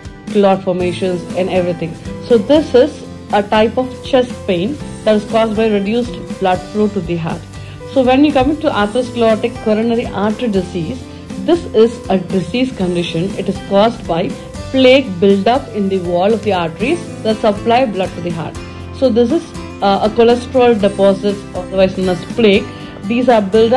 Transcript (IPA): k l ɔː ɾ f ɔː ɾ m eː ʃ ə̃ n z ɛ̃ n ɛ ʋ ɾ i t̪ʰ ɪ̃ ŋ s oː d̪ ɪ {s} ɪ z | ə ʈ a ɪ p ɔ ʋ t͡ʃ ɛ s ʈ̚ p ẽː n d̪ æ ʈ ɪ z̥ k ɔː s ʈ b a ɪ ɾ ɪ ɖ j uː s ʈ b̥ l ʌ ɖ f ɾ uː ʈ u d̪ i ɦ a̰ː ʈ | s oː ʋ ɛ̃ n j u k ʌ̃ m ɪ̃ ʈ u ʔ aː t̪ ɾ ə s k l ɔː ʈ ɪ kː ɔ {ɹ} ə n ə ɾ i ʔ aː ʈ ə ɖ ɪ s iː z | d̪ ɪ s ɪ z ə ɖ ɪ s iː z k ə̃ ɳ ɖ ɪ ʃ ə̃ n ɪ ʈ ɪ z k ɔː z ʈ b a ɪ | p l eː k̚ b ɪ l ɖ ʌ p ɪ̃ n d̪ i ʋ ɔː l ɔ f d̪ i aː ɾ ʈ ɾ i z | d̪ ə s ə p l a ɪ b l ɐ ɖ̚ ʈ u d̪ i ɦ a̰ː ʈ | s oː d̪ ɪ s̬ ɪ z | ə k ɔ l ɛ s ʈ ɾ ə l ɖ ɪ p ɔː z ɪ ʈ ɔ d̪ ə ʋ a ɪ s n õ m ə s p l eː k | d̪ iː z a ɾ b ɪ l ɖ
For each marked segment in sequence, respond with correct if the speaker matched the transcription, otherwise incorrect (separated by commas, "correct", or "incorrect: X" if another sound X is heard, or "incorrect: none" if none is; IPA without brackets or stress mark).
correct, incorrect: ɾ